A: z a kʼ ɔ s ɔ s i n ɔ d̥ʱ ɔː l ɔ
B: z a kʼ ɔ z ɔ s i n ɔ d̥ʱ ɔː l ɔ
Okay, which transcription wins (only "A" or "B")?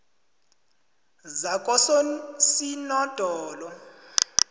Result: A